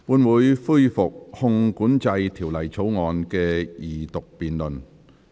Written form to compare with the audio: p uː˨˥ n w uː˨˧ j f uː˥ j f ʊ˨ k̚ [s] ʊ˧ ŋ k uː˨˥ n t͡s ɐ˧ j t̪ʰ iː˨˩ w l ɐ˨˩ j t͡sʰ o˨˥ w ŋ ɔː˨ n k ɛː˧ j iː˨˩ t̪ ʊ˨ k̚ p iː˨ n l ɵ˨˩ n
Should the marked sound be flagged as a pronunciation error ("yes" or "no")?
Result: yes